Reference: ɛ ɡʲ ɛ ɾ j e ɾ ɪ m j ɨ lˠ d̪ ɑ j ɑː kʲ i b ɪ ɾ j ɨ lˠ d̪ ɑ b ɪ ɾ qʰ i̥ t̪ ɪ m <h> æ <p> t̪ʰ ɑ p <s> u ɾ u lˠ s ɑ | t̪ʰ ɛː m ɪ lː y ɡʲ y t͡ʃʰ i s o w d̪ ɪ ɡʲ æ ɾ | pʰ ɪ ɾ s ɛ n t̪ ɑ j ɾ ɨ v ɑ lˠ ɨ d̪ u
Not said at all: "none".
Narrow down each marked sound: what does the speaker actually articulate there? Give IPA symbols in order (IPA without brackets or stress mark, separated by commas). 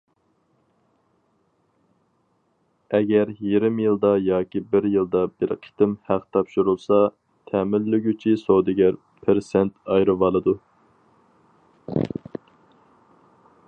h, q, ʃ